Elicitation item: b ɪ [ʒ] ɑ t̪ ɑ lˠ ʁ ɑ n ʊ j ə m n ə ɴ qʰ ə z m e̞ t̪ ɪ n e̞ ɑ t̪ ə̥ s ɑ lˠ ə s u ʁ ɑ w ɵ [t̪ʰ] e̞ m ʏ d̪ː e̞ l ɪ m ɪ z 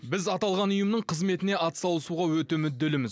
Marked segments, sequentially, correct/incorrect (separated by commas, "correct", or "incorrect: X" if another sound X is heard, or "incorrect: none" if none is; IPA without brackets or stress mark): incorrect: z, incorrect: t̪